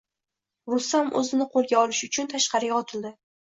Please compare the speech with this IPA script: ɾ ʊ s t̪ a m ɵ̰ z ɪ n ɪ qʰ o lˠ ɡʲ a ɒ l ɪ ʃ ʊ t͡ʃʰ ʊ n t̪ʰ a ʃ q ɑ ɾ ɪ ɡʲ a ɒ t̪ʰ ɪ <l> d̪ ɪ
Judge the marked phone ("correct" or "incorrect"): correct